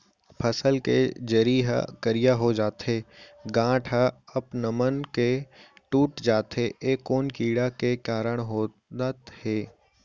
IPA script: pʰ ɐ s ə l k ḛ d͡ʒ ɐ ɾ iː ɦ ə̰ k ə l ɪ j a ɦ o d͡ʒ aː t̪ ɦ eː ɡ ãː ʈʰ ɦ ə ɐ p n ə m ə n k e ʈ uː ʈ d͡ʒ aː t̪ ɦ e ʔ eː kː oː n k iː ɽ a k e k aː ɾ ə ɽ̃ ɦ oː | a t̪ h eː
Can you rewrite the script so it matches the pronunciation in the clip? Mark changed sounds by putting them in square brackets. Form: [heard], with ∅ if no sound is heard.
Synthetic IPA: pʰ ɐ s ə l k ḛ d͡ʒ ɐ ɾ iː ɦ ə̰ k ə [ɾ] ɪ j a ɦ o d͡ʒ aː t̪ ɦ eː ɡ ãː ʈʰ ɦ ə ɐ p n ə m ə n k e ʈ uː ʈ d͡ʒ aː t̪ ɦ e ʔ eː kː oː n k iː ɽ a k e k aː ɾ ə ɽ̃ ɦ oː | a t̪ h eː